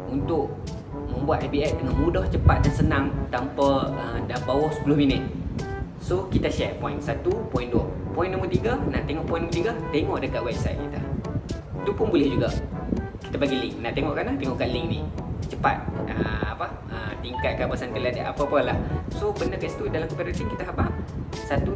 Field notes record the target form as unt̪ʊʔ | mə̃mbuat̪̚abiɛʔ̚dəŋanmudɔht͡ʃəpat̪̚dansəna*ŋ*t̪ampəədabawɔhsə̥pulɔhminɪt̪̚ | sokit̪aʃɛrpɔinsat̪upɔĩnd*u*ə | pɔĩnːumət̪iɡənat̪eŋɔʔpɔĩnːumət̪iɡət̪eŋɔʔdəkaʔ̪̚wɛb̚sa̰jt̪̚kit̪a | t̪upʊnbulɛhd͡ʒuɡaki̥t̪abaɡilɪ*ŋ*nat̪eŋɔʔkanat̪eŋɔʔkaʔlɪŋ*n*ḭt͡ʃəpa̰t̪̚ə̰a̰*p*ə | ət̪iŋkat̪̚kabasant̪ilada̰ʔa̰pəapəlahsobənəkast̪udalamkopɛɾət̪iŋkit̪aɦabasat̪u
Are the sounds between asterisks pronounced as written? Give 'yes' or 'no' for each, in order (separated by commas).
yes, yes, yes, yes, yes